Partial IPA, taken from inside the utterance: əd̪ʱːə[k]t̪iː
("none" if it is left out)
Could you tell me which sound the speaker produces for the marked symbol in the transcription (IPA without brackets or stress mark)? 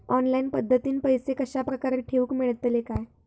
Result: none